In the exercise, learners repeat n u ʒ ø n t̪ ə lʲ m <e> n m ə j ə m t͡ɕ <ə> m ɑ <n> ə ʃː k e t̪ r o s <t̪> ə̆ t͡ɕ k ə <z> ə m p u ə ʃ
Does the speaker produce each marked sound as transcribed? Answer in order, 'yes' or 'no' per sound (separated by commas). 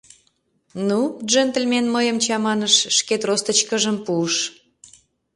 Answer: yes, no, yes, yes, no